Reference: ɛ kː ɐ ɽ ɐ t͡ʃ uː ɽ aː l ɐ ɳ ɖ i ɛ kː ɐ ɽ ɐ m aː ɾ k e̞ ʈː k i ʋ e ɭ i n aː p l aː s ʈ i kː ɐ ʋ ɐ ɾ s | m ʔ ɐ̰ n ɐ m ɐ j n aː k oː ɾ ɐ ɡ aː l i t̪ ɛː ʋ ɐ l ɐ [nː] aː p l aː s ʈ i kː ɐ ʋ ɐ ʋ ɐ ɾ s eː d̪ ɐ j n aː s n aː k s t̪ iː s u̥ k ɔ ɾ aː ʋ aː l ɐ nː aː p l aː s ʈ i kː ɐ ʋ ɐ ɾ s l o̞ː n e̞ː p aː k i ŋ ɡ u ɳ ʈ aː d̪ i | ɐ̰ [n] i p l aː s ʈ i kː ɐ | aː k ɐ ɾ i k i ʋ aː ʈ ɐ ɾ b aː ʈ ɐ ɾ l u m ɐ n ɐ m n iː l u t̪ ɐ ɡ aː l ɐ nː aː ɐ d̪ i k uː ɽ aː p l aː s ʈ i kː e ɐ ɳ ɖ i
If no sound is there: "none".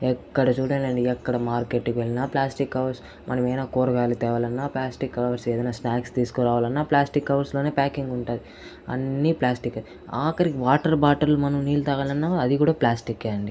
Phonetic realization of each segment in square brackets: nː, nː

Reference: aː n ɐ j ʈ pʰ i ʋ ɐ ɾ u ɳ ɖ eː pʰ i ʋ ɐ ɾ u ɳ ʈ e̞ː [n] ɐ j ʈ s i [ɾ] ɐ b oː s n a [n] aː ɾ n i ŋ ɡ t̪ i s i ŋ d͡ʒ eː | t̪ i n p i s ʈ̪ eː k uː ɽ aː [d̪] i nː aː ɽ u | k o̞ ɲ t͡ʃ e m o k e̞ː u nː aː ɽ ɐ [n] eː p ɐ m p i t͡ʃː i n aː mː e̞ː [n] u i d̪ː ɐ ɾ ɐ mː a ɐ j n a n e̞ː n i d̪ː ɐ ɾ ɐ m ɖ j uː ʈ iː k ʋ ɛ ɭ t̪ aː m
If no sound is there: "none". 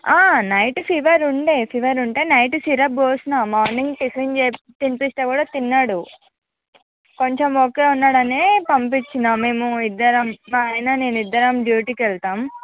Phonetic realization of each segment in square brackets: n, ɾ, m, t̪, n, m

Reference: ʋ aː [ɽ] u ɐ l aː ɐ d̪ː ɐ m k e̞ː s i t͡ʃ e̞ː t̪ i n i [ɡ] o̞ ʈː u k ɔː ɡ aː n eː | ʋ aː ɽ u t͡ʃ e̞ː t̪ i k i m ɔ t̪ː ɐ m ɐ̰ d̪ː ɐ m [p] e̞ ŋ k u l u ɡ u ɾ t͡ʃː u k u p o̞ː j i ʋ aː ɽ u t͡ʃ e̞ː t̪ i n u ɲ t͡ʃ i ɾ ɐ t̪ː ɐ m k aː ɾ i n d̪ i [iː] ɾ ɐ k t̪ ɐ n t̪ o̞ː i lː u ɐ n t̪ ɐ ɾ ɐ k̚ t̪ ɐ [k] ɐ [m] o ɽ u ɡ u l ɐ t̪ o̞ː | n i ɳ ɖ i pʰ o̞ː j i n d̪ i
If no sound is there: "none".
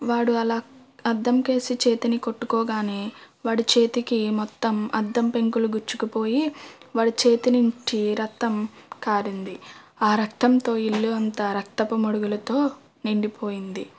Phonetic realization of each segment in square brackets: ɽ, k, p, aː, p, m

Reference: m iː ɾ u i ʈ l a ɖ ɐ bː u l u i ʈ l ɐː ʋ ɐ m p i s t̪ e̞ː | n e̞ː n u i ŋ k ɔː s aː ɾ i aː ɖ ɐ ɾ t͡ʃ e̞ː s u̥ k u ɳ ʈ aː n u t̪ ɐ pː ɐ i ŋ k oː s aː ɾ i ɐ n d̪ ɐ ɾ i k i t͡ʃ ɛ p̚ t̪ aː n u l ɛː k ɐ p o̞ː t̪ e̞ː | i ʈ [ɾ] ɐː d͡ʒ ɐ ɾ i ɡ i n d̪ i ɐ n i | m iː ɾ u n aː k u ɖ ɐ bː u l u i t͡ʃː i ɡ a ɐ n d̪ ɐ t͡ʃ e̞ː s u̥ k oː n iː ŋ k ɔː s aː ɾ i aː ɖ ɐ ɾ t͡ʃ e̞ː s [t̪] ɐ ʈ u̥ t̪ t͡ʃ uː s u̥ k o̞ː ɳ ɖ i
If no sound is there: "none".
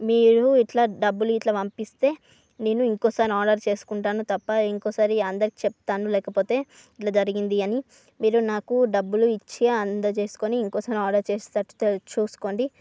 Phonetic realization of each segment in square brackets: l, t̪

